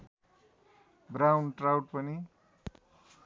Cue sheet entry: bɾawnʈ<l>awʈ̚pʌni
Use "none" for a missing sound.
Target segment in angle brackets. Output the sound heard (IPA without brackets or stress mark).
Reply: r